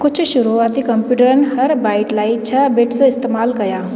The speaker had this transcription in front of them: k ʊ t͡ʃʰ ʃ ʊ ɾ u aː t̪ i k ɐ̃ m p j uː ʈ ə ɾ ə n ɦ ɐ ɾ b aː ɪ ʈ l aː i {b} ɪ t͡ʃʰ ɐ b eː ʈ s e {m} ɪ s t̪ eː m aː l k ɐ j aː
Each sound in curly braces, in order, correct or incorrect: incorrect: none, incorrect: none

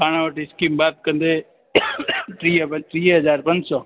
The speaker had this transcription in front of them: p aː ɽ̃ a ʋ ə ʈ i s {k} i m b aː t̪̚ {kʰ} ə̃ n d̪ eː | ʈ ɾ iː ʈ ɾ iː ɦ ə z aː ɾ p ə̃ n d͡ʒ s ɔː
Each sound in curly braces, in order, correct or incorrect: correct, incorrect: k

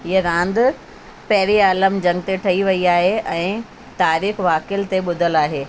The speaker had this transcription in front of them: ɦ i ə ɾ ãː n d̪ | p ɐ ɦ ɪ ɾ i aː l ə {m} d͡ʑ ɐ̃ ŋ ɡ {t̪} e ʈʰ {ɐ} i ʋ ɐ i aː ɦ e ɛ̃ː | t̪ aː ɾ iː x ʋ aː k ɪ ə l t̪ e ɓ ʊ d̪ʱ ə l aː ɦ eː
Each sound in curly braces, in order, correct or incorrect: correct, correct, correct

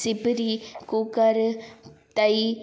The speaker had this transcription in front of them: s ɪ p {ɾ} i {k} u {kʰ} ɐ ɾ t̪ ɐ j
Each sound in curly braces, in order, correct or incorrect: correct, correct, incorrect: k

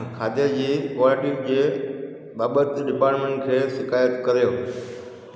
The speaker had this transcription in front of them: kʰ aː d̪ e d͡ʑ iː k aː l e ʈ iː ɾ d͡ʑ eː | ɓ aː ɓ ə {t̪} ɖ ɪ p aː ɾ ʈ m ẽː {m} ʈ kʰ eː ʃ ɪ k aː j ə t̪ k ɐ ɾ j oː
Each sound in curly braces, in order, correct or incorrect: correct, incorrect: ɳ

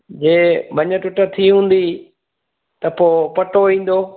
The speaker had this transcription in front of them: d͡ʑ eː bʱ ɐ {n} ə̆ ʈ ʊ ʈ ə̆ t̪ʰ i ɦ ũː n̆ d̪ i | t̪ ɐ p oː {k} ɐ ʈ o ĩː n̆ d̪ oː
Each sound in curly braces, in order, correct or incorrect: incorrect: ɲ, incorrect: p

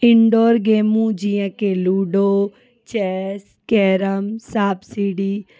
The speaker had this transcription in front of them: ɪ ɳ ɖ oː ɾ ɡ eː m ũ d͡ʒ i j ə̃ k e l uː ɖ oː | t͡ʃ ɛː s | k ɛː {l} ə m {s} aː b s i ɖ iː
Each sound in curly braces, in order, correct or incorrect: incorrect: ɾ, correct

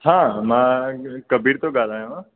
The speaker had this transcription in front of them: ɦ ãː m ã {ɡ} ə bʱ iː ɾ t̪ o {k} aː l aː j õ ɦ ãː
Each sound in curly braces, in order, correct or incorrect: incorrect: k, incorrect: ɡ

